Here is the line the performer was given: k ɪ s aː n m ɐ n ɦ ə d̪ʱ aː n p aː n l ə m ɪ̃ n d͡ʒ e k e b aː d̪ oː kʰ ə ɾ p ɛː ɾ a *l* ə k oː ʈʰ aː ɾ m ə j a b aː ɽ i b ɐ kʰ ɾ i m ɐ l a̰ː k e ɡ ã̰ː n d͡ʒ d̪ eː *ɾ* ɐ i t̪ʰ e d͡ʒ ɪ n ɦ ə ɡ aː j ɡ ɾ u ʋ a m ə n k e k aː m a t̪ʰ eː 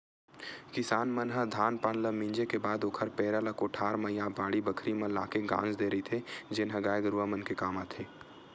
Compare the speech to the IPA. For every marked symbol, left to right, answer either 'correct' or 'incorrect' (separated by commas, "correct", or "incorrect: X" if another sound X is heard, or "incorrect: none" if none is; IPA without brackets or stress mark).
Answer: correct, correct